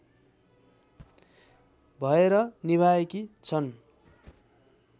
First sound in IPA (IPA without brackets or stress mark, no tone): bʱ